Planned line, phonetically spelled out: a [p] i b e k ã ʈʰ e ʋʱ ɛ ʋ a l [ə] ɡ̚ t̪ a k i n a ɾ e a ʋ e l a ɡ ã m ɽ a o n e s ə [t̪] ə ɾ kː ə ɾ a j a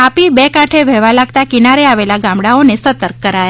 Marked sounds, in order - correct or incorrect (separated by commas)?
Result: correct, incorrect, correct